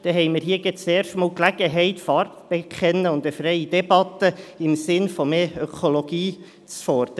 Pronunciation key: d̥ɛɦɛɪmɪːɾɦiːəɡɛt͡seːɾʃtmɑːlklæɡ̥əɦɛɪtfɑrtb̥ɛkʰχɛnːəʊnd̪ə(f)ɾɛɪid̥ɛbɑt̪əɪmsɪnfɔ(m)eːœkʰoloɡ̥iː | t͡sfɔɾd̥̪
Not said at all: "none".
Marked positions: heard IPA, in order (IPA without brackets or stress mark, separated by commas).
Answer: f, m